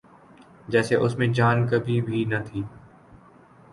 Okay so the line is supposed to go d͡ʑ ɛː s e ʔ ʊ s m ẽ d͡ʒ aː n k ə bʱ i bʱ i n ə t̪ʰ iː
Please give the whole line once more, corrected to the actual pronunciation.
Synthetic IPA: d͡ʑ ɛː s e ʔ ʊ s m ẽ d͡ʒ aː n k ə bʱ i bʱ i n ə t̪ʰ iː